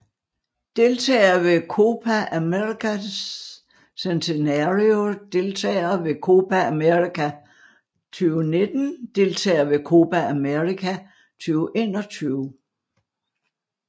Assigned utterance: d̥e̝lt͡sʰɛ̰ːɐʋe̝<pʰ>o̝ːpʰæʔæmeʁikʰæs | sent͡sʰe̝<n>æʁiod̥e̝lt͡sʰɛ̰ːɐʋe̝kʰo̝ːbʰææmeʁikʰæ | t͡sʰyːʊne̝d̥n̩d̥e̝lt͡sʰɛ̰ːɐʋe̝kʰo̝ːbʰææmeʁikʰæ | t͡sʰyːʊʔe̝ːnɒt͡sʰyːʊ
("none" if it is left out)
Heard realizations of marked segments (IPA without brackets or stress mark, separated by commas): kʰ, n